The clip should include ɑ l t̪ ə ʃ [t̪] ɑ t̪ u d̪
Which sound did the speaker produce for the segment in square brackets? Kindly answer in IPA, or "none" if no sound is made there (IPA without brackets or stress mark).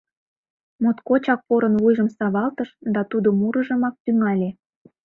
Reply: d̪